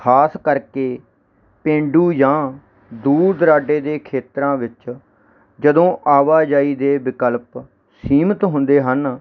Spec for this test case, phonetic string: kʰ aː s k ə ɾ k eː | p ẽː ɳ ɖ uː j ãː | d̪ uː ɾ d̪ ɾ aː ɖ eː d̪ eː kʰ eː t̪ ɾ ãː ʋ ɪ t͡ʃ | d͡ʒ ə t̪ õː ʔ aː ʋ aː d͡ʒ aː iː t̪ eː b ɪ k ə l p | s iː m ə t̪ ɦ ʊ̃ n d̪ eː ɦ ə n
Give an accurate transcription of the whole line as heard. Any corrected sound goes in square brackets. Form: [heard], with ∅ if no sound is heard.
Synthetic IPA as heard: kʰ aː s k ə ɾ k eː | p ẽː ɳ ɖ uː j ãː | d̪ uː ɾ d̪ ɾ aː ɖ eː d̪ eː kʰ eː t̪ ɾ ãː ʋ ɪ t͡ʃ | d͡ʒ ə [d̪] õː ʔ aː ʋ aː d͡ʒ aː iː [d̪] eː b ɪ k ə l p | s iː m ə t̪ ɦ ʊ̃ n d̪ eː ɦ ə n

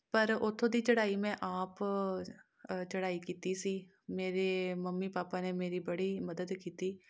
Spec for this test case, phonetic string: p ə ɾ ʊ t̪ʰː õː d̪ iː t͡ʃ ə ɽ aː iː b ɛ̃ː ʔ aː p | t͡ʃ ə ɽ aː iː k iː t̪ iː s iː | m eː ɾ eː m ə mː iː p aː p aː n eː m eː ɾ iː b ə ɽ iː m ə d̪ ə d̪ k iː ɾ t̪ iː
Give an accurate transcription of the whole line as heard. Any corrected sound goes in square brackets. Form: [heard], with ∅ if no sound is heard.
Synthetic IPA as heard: p ə ɾ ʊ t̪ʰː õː d̪ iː t͡ʃ ə ɽ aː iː [m] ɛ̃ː ʔ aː p | t͡ʃ ə ɽ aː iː k iː t̪ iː s iː | m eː ɾ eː m ə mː iː p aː p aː n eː m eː ɾ iː b ə ɽ iː m ə d̪ ə d̪ k iː [∅] t̪ iː

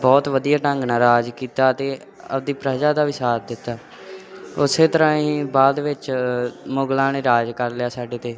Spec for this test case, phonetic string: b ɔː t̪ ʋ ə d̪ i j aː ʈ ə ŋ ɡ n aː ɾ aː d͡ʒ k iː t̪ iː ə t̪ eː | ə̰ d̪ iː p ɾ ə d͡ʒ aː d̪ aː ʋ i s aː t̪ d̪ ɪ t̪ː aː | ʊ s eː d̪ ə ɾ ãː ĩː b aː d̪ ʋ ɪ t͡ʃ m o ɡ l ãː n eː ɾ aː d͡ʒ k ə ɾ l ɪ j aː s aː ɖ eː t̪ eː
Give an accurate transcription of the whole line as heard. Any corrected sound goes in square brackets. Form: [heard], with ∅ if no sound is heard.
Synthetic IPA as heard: b ɔː t̪ ʋ ə d̪ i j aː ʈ ə ŋ ɡ n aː ɾ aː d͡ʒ k iː t̪ [aː] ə t̪ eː | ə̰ d̪ iː p ɾ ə d͡ʒ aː d̪ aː ʋ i s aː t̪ d̪ ɪ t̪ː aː | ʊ s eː [t̪] ə ɾ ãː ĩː b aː d̪ ʋ ɪ t͡ʃ m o ɡ l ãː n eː ɾ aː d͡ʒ k ə ɾ l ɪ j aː s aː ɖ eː t̪ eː

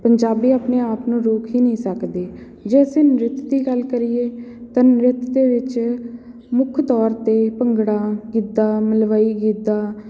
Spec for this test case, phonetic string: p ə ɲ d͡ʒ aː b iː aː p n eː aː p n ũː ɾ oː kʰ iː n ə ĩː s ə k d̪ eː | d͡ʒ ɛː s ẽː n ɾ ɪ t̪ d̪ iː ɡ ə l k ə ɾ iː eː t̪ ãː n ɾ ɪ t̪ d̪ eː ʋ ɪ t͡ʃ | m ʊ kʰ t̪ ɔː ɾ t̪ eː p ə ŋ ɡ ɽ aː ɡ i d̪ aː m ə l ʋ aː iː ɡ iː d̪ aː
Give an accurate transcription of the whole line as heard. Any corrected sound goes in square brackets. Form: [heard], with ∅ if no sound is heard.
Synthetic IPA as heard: p ə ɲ d͡ʒ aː b iː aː p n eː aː p n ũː ɾ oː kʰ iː n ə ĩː s ə k d̪ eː | d͡ʒ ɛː s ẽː n ɾ ɪ t̪ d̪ iː ɡ ə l k ə ɾ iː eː t̪ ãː n ɾ ɪ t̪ d̪ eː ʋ ɪ t͡ʃ | m ʊ kʰ t̪ ɔː ɾ t̪ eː p ə ŋ ɡ ɽ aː ɡ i d̪ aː m ə l ʋ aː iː ɡ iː d̪ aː

